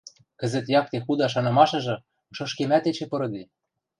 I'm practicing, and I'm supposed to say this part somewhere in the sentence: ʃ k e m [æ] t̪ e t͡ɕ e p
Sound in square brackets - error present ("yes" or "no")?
no